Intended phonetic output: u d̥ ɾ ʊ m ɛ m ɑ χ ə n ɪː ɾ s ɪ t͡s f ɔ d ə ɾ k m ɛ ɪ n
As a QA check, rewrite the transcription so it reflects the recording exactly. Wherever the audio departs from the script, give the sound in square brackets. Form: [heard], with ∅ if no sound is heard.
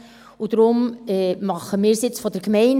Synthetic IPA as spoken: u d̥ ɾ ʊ m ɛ m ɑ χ ə [m] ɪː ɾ s ɪ t͡s f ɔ d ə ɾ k m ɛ ɪ n